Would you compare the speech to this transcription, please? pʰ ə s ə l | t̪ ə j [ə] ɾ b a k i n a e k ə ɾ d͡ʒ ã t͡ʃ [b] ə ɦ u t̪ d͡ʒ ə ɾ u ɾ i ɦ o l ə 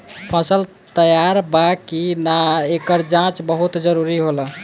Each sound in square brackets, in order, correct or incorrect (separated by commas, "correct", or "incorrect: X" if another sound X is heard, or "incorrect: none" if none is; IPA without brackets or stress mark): incorrect: a, correct